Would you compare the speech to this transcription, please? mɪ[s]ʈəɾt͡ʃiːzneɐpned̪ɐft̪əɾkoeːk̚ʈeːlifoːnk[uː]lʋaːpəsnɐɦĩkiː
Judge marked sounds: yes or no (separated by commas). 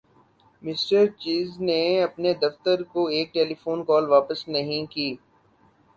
yes, no